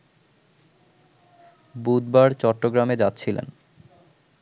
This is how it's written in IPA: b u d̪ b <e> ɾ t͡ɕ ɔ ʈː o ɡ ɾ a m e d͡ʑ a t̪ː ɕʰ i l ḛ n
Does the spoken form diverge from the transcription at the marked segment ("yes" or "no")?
yes